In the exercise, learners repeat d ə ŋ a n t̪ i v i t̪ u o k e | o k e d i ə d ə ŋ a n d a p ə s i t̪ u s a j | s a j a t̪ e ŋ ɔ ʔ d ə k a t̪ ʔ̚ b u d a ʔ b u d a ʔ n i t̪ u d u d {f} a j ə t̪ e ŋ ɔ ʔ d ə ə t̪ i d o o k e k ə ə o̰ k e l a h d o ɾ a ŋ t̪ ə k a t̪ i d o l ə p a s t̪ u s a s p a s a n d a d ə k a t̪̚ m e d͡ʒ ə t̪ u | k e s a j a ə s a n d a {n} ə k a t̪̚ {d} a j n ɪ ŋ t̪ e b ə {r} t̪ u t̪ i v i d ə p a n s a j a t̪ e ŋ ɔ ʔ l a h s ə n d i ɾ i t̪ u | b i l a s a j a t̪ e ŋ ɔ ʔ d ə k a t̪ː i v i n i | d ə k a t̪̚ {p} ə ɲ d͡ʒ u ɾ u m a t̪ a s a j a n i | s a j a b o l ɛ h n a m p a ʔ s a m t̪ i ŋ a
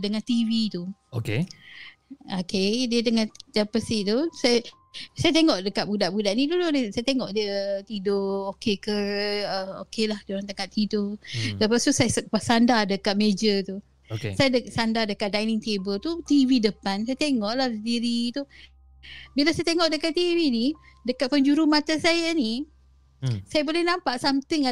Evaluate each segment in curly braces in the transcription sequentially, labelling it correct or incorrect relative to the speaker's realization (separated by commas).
incorrect, incorrect, correct, incorrect, correct